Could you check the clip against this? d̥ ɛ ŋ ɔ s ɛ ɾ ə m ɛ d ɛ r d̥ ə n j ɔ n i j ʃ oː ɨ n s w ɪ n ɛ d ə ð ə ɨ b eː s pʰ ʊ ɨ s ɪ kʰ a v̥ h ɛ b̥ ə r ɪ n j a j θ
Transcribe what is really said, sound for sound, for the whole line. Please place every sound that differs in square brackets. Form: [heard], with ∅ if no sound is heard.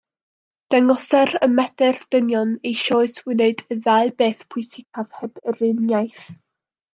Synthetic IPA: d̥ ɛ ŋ ɔ s ɛ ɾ ə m ɛ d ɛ r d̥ ə n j ɔ n [e] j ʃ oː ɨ [∅] s w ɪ n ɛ d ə ð [a] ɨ b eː [θ] pʰ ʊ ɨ s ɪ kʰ a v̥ h ɛ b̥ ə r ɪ n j a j θ